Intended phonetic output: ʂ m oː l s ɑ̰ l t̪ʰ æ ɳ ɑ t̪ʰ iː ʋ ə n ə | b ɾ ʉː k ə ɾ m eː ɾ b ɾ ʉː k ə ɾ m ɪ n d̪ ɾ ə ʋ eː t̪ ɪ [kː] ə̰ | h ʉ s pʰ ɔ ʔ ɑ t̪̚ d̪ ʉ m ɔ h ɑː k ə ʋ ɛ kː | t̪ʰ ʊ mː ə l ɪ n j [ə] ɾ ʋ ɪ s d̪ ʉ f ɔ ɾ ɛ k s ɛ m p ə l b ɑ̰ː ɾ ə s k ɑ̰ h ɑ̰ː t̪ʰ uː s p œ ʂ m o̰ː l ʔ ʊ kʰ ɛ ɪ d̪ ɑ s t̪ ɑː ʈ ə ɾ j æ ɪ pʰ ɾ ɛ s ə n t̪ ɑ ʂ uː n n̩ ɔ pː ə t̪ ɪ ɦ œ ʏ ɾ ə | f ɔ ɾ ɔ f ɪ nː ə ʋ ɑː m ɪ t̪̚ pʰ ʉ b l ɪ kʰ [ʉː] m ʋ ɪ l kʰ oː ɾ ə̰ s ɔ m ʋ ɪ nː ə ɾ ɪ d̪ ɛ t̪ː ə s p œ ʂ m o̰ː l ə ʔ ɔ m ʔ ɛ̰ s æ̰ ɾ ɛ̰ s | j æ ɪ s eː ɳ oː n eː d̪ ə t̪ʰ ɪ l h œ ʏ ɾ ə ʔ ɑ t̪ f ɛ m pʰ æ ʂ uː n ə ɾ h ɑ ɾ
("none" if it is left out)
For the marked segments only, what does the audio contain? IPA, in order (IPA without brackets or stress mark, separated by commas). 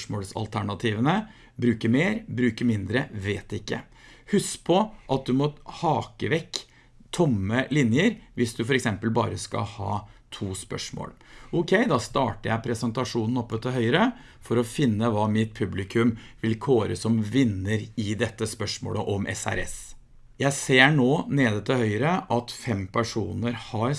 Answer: kː, ə, ʉ